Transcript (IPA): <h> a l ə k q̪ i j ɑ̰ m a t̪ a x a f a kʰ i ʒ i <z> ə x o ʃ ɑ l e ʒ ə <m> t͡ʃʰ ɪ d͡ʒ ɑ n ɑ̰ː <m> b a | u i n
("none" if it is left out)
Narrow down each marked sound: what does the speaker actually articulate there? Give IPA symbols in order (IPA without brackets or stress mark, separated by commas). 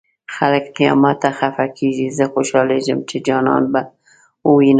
x, z, m, n